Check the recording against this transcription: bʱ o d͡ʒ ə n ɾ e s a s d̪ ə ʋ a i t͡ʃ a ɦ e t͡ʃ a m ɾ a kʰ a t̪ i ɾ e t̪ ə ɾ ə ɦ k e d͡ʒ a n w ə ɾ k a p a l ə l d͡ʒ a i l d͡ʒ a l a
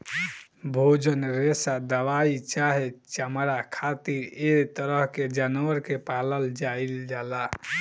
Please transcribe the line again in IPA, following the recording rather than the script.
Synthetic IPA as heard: bʱ o d͡ʒ ə n ɾ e s a d̪ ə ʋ a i t͡ʃ a ɦ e t͡ʃ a m ɾ a kʰ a t̪ i ɾ e t̪ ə ɾ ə ɦ k e d͡ʒ a n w ə ɾ k e p a l ə l d͡ʒ a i l d͡ʒ a l a